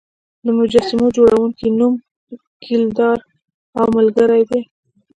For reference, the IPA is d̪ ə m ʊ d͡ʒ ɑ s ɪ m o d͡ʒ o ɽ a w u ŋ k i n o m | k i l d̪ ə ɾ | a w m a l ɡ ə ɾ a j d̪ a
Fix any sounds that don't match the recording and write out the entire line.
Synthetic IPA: d̪ ə m ʊ d͡ʒ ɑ s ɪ m o d͡ʒ o ɽ a w u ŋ k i n u m | k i l d̪ ɑ ɾ | a w m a l ɡ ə ɾ a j d̪ e